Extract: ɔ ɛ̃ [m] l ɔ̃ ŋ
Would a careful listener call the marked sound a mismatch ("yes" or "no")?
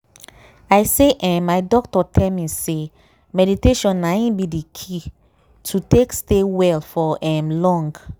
no